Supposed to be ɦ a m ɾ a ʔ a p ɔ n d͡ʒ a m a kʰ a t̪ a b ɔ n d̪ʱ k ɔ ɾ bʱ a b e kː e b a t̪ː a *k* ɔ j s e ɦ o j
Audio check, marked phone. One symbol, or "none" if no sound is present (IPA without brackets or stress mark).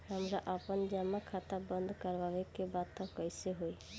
k